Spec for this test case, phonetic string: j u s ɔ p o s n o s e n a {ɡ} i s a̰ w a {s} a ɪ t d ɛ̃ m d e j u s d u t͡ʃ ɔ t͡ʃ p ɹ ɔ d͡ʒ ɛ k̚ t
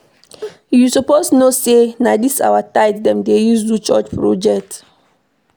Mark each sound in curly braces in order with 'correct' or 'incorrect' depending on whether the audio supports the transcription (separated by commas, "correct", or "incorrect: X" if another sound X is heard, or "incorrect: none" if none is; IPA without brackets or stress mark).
incorrect: d, incorrect: t